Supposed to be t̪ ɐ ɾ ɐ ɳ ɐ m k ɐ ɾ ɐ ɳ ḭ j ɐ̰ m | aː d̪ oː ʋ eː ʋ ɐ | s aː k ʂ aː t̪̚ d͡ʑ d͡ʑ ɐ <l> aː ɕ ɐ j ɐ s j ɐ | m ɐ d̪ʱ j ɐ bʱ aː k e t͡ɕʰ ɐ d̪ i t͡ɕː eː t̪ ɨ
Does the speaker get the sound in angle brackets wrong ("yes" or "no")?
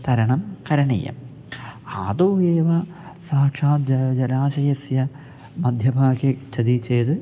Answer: no